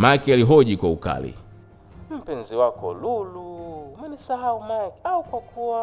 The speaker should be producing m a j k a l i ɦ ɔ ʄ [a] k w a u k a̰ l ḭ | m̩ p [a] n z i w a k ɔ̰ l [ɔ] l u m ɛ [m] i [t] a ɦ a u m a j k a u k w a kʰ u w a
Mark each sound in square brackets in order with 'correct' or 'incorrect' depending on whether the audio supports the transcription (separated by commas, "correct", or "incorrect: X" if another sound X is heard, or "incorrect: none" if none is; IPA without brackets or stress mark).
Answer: incorrect: i, incorrect: ɛ, incorrect: u, incorrect: n, incorrect: s